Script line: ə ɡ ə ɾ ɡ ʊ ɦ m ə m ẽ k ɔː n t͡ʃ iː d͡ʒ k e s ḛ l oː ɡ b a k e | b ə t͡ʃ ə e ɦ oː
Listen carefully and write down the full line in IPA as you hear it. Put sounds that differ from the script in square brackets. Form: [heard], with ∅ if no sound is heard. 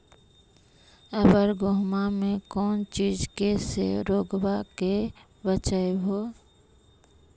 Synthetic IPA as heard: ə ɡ ə ɾ ɡ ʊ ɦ m [a] m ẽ k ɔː n t͡ʃ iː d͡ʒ k e s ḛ [ɾ] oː ɡ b a k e | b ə t͡ʃ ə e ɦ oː